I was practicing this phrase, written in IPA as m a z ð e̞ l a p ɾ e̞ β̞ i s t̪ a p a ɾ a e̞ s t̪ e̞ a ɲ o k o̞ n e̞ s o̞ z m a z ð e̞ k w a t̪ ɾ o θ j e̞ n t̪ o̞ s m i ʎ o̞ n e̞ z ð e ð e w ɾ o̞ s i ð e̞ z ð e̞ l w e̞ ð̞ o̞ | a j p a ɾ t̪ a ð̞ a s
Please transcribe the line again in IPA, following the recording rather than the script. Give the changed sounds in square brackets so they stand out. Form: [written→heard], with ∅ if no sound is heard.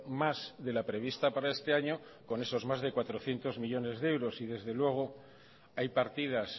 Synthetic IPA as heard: m a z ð e̞ l a p ɾ e̞ β̞ i s t̪ a p a ɾ a e̞ s t̪ e̞ a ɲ o k o̞ n e̞ s o̞ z m a z ð e̞ k w a t̪ ɾ o θ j e̞ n t̪ o̞ [s→z] m i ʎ o̞ n e̞ z ð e [ð→∅] e w ɾ o̞ s i ð e̞ z ð e̞ l w e̞ [ð̞→ɣ̞] o̞ | a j p a ɾ t̪ [a→i] ð̞ a s